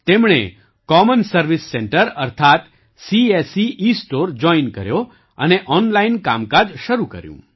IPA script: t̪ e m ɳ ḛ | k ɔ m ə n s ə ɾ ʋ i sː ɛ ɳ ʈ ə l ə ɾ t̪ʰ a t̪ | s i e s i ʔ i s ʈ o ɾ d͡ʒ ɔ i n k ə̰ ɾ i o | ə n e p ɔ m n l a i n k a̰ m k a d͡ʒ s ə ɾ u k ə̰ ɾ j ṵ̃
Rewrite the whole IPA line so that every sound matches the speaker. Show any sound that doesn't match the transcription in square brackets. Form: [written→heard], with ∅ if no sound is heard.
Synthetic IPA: t̪ e m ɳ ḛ | k ɔ m ə n s ə ɾ ʋ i sː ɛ ɳ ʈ ə [l→ɾ] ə ɾ t̪ʰ a t̪ | s i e s i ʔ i s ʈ o ɾ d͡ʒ ɔ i n k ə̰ ɾ [i→j] o | ə n e [p→ʔ] ɔ [m→∅] n l a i n k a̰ m k a d͡ʒ [s→ʃ] ə ɾ u k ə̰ ɾ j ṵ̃